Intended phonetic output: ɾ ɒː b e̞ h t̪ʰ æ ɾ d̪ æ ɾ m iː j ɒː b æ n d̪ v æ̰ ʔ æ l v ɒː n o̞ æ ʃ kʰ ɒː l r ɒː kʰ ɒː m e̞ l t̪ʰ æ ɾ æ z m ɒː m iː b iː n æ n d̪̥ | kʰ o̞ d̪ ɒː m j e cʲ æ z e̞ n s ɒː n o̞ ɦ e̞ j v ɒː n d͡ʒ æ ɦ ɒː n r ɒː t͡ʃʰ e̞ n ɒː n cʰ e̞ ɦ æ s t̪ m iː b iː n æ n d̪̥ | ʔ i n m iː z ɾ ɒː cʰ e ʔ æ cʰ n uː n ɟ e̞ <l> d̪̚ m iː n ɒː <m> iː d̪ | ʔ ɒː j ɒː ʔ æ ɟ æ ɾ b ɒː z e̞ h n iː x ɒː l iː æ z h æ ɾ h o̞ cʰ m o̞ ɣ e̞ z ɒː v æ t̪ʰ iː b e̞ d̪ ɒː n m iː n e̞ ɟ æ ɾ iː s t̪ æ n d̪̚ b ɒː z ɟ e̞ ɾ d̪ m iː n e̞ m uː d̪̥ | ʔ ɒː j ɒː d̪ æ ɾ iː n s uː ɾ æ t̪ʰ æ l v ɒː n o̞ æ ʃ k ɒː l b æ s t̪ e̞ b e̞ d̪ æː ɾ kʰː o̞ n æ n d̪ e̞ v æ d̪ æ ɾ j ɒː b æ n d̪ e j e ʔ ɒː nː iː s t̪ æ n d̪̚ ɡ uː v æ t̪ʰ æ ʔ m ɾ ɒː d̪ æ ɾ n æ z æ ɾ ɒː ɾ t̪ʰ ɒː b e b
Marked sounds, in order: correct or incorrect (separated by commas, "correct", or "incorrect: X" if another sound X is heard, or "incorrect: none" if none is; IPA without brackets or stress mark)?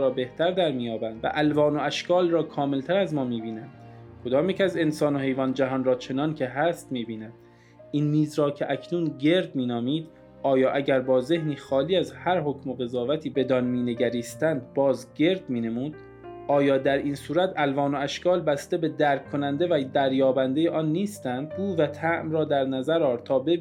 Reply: incorrect: ɾ, correct